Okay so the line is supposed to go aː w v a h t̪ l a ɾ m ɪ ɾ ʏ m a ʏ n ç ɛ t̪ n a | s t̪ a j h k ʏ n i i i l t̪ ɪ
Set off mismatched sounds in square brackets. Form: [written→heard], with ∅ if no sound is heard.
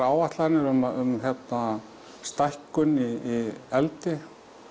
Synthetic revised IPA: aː w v a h t̪ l a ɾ [m→n] ɪ ɾ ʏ m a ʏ [n→m] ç ɛ t̪ n a | s t̪ a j h k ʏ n i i [i→ɛ] l t̪ ɪ